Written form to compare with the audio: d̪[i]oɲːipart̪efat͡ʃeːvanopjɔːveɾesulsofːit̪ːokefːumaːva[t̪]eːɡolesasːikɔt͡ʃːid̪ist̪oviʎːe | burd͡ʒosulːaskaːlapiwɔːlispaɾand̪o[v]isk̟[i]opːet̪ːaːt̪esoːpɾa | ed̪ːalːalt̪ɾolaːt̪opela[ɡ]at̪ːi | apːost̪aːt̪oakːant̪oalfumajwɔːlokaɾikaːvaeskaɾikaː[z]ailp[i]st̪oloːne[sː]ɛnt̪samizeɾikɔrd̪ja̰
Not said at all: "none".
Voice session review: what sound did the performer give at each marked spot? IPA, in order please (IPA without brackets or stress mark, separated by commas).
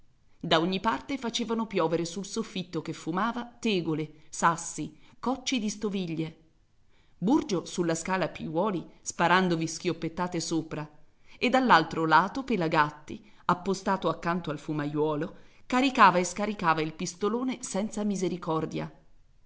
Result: a, t̪, v, j, ɡ, v, i, s